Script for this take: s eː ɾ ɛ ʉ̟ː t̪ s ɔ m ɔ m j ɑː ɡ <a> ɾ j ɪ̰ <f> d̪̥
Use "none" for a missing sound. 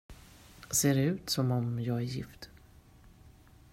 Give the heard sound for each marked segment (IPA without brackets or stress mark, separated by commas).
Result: æ, f